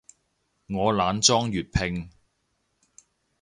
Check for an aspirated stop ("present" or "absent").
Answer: present